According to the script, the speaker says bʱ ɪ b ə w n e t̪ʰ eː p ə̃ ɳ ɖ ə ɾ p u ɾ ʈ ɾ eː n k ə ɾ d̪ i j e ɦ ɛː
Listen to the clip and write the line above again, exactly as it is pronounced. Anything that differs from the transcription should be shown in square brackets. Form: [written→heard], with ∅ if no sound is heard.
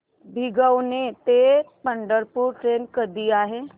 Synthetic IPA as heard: bʱ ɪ [b→ɡ] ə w n e [t̪ʰ→t̪] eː p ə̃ ɳ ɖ ə ɾ p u ɾ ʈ ɾ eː n k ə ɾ d̪ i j [e→a] ɦ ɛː